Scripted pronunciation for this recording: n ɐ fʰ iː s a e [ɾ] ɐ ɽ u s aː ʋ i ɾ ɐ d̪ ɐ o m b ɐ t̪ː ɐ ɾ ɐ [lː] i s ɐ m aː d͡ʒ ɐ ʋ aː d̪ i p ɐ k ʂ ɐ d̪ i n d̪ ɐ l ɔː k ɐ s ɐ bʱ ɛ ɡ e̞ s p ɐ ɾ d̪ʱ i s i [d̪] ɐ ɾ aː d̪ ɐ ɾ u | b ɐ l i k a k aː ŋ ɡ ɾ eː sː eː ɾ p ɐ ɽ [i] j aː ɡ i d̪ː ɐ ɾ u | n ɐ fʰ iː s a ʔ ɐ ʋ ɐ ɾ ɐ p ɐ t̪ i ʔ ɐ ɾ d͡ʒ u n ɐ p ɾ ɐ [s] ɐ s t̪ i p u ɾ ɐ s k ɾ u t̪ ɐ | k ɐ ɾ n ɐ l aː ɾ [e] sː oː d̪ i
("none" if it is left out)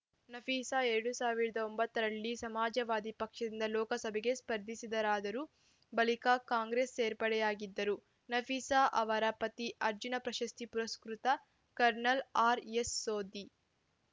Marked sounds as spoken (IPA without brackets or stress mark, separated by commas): ɾ, ɭː, d̪, ɛ, ʃ, e